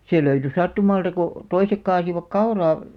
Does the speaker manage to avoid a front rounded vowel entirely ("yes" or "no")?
no